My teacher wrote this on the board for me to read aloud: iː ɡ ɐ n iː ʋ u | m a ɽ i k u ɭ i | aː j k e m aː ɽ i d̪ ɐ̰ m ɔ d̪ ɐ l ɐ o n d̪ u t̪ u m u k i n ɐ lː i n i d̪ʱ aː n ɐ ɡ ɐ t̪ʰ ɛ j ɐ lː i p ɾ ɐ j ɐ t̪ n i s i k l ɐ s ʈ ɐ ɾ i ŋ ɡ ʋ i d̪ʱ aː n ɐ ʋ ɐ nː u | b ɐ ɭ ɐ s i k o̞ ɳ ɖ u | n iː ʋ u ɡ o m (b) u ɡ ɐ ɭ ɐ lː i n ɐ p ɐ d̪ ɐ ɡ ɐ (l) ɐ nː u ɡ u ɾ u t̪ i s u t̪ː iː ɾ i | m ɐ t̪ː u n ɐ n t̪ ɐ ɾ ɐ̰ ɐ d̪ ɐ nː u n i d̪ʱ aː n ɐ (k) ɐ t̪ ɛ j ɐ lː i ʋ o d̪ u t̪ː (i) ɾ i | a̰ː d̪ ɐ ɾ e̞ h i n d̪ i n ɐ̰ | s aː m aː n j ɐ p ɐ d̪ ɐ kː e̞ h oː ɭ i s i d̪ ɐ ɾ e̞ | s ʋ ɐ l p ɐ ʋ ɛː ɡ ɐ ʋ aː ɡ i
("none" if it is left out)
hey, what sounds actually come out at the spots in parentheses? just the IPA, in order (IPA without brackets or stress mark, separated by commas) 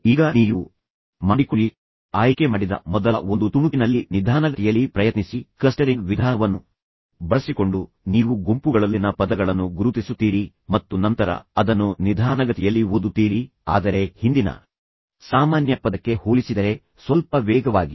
p, ɭ, ɡ, iː